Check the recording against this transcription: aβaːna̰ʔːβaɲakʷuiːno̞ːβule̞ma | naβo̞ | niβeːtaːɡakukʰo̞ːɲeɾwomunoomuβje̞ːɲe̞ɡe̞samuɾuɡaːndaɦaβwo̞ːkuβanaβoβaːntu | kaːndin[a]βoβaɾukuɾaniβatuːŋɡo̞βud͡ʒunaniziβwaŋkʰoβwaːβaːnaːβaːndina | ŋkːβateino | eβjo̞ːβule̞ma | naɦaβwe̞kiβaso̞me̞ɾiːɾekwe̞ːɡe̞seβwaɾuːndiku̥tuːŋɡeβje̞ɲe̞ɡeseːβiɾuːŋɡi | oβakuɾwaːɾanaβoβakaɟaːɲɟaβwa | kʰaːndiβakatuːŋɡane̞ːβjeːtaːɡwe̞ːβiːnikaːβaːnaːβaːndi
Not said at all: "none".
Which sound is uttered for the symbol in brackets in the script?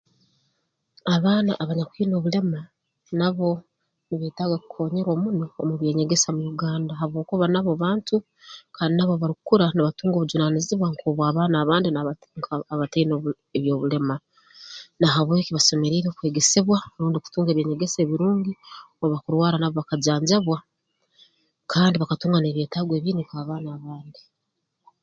a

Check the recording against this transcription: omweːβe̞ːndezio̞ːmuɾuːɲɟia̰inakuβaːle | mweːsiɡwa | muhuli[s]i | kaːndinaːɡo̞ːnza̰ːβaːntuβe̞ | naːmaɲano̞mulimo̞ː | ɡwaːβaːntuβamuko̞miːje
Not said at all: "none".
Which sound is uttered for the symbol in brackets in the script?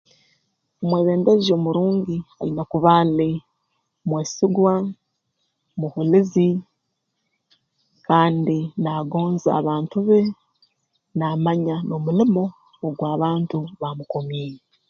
z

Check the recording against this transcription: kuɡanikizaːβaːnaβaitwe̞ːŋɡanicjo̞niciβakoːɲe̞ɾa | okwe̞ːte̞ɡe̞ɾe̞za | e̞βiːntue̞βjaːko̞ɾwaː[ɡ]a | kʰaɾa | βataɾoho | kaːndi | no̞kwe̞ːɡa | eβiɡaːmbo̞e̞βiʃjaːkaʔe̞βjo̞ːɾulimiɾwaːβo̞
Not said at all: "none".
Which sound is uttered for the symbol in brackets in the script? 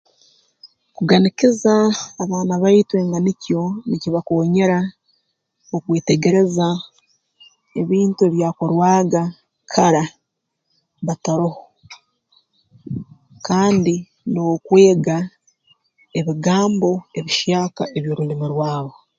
ɡ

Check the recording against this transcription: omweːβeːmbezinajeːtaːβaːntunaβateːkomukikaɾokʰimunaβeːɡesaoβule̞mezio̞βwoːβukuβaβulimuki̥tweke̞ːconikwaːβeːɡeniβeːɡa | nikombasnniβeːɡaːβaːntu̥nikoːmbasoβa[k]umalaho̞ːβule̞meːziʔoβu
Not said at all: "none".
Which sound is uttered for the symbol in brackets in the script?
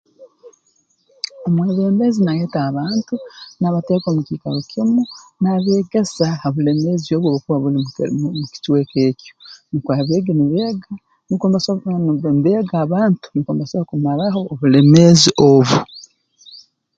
k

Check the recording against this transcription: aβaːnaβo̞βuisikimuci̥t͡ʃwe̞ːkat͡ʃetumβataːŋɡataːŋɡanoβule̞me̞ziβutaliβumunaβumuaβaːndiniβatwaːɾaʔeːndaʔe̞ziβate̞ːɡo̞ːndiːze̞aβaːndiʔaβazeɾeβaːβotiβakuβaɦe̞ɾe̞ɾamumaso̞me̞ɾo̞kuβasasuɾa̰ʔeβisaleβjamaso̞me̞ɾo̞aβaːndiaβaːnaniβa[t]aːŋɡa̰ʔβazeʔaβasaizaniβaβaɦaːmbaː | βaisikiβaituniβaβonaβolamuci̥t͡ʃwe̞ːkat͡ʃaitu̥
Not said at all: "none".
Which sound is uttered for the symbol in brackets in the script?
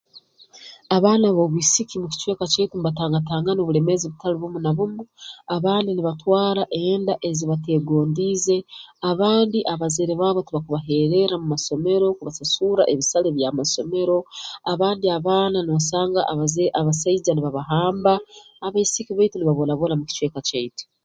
s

